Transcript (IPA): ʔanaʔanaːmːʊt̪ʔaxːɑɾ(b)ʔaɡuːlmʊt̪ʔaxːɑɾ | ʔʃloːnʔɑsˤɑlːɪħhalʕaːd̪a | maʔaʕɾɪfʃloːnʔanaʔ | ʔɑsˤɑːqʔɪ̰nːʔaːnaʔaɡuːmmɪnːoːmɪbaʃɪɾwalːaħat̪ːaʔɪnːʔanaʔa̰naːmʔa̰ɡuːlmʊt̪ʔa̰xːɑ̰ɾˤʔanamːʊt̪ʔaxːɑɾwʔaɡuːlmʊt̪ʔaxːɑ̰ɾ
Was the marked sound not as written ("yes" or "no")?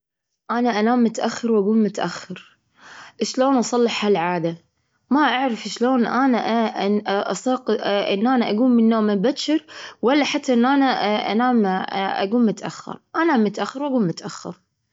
yes